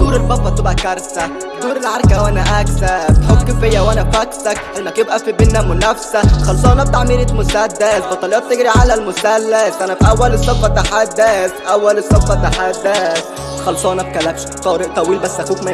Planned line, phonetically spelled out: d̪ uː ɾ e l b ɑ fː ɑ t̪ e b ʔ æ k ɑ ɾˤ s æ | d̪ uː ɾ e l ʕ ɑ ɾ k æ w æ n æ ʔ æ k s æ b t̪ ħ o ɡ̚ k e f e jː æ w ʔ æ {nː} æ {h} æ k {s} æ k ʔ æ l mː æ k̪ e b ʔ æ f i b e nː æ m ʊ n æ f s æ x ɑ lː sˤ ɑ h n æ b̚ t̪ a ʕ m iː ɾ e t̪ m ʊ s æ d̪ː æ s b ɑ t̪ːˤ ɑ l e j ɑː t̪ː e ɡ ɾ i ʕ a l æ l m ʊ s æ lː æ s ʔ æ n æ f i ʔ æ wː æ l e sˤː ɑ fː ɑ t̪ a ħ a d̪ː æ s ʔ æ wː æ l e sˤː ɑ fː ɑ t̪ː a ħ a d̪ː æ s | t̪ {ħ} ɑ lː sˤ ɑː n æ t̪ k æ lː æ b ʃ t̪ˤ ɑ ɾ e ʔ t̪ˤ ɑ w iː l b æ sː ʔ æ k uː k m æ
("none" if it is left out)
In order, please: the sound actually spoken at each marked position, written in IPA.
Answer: n, f, s, x

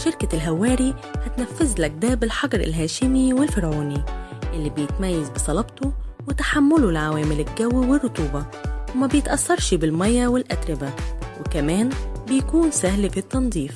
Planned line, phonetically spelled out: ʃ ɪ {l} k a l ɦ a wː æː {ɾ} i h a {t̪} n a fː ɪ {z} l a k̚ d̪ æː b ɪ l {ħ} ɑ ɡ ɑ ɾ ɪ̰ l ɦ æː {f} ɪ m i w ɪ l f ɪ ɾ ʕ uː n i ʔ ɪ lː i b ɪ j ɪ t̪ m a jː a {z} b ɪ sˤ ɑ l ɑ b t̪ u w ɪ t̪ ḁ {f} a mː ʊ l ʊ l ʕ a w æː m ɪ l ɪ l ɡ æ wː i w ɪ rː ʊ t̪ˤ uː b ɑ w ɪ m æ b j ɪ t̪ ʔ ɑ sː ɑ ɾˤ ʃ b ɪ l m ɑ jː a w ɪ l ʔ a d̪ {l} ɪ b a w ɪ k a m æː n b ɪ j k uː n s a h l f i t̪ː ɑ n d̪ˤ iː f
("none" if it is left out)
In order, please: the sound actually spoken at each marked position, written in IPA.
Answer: ɾ, ɾ, t̪, z, ħ, ʃ, z, ħ, ɾ

